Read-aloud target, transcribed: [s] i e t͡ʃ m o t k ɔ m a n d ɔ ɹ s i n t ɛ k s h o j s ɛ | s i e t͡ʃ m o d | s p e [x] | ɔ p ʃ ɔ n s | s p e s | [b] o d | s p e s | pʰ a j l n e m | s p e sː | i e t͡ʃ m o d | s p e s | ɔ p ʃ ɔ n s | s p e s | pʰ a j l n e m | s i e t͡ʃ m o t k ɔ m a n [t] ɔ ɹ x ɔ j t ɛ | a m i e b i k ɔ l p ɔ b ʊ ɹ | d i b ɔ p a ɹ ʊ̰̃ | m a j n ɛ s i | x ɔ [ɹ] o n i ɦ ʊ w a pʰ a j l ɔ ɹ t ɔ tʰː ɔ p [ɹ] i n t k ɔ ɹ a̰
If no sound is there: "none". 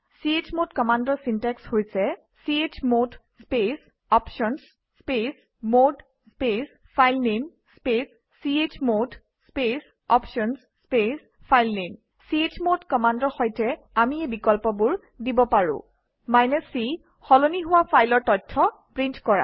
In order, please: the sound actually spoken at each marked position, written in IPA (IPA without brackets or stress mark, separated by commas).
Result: s, s, m, d, l, ɹ